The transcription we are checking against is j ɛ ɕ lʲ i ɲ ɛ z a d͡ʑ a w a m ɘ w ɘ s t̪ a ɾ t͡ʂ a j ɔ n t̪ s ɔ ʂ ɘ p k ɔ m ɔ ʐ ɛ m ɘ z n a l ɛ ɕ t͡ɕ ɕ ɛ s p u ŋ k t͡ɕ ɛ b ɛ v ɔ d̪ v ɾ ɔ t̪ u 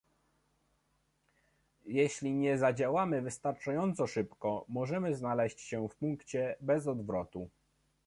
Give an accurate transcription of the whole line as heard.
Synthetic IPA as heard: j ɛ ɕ lʲ i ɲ ɛ z a d͡ʑ a w a m ɘ v ɘ s t̪ a ɾ t͡ʂ a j ɔ n t̪ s ɔ ʂ ɘ p k ɔ m ɔ ʐ ɛ m ɘ z n a l ɛ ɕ t͡ɕ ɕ ɛ f p u ŋ k t͡ɕ ɛ b ɛ z ɔ d̪ v ɾ ɔ t̪ u